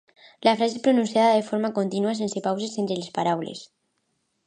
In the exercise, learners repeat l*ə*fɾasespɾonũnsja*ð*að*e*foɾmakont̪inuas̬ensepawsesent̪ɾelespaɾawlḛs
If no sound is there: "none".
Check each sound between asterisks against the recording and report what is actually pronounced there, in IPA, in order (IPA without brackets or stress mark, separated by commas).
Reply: a, ð, e